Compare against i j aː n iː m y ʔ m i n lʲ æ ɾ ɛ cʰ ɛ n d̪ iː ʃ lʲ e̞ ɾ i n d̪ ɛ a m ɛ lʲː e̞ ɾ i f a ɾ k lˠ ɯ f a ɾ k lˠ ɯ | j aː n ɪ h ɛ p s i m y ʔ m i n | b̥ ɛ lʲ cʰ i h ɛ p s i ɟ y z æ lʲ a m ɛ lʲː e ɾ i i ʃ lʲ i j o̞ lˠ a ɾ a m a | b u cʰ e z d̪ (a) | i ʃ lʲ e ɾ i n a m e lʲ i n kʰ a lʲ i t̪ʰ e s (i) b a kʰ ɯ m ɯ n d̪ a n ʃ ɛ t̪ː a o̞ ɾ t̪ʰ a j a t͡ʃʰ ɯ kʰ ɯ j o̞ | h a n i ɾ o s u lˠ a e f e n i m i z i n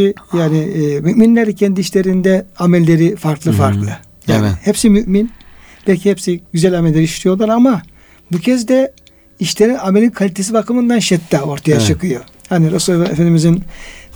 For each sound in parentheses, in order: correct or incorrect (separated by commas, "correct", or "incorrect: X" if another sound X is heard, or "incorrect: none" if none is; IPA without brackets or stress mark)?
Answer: incorrect: ɛ, correct